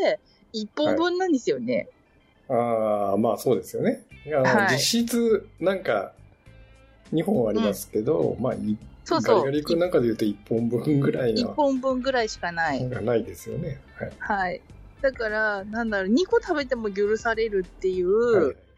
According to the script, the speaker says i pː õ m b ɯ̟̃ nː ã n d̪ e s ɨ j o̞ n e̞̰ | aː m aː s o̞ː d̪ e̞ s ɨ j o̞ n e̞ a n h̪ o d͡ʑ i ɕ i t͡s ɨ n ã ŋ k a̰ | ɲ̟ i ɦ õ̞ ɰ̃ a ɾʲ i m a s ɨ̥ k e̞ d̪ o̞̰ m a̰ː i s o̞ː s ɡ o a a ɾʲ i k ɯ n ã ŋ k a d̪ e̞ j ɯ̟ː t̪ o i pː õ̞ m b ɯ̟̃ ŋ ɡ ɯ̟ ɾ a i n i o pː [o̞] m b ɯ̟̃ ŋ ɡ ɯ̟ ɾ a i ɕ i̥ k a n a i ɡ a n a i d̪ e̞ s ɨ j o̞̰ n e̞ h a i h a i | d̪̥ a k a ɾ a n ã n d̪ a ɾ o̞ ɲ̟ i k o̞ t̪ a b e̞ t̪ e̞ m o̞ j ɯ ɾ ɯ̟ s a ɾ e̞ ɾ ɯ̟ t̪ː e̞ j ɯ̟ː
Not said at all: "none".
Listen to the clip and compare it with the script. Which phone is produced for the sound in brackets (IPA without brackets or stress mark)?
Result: õ̞